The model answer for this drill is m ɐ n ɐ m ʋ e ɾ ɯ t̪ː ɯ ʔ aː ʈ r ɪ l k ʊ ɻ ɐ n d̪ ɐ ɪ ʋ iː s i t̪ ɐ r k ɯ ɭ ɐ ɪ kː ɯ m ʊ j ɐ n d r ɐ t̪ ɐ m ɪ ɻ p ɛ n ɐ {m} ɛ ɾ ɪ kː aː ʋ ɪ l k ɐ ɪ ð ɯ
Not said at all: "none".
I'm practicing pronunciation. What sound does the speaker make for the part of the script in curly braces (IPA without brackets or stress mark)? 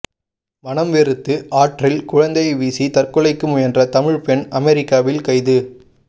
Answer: m